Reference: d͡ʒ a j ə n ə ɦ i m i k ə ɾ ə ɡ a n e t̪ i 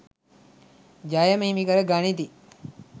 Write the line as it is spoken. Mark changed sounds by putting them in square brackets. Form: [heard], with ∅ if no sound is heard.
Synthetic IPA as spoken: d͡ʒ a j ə [m] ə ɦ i m i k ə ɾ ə ɡ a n [i] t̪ i

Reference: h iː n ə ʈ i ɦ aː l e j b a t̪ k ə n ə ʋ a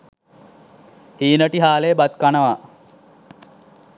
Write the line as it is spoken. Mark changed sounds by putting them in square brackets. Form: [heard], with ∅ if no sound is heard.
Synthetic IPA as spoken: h iː n ə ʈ i ɦ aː l e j b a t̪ k [a] n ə ʋ a

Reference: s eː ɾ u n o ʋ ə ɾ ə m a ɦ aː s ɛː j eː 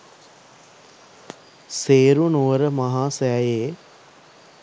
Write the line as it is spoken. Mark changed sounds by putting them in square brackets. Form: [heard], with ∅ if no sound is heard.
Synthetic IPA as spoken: s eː ɾ u n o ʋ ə ɾ ə m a ɦ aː s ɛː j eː

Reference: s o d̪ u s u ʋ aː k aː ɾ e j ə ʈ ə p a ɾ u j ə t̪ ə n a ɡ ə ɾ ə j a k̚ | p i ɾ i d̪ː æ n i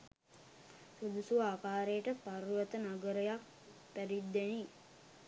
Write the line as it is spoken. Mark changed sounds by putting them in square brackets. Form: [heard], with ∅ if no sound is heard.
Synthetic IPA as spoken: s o d̪ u s u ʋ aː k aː ɾ e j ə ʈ ə p a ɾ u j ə t̪ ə n a ɡ ə ɾ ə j a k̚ | p [æ] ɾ i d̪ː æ n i

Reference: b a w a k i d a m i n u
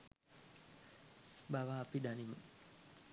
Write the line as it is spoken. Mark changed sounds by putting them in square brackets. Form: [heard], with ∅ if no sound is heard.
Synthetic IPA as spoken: b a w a [p] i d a [n] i [m] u

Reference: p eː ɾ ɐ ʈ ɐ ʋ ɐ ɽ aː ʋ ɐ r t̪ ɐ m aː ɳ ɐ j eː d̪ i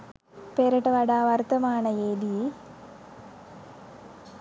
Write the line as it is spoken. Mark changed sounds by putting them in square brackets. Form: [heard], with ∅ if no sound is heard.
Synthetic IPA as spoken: p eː ɾ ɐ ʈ ɐ ʋ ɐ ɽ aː ʋ ɐ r t̪ ɐ m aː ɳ ɐ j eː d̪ i

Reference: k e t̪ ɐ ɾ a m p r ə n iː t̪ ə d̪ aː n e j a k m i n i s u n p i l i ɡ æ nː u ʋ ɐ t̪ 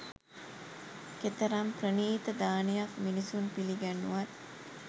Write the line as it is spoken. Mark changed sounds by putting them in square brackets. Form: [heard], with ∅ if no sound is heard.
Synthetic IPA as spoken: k e t̪ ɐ ɾ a m p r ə n iː t̪ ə d̪ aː n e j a k m i n i s u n p i l i ɡ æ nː u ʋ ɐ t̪

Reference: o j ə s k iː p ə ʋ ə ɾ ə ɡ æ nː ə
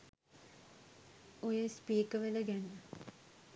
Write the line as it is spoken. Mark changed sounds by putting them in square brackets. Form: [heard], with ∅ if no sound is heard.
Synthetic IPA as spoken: o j ə s [p] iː [k] ə ʋ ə [l] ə ɡ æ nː ə

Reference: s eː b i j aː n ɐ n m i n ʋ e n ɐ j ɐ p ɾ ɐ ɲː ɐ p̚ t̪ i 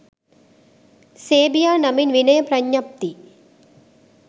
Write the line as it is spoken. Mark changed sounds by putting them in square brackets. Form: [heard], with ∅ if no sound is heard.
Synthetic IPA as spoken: s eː b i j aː n ɐ [∅] m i n ʋ [i] n ɐ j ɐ p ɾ ɐ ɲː ɐ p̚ t̪ i

